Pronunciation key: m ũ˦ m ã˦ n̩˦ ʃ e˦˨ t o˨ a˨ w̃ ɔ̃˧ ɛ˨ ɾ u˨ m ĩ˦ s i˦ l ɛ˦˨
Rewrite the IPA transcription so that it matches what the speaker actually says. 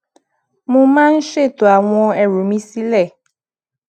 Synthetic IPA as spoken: m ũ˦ m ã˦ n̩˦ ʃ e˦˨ t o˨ a˨ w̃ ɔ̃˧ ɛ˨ ɾ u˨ m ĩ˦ s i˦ l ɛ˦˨